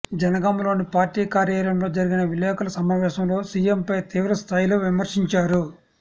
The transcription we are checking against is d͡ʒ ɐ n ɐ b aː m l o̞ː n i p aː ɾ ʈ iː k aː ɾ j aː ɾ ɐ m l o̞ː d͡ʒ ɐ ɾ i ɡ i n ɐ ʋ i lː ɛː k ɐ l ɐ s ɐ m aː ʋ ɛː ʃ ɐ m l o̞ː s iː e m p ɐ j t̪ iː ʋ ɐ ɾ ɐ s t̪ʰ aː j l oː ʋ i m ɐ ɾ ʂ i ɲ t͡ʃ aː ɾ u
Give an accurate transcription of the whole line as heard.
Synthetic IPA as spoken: d͡ʒ ɐ n ɐ ɡ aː m l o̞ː n i p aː ɾ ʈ iː k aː ɾ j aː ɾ ɐ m l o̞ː d͡ʒ ɐ ɾ i ɡ i n ɐ ʋ i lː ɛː k ɐ l ɐ s ɐ m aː ʋ ɛː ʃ ɐ m l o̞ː s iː e m p ɐ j t̪ iː ʋ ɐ ɾ ɐ s t̪ʰ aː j l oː ʋ i m ɐ ɾ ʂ i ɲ t͡ʃ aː ɾ u